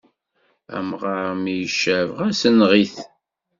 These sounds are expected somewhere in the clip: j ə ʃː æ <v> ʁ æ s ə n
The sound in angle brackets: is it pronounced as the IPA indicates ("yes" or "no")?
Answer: yes